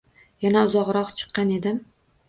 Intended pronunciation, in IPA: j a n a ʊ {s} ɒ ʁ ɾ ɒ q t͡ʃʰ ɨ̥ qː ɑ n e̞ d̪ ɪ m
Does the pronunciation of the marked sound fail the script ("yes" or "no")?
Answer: yes